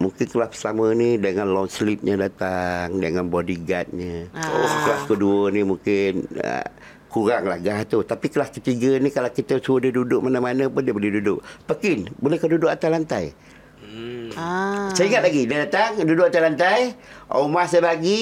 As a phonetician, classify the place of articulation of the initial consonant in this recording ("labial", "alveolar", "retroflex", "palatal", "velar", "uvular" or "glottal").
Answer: labial